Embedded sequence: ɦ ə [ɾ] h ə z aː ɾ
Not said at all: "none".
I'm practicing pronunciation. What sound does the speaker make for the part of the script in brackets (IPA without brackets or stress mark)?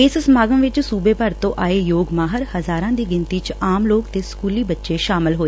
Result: ɾ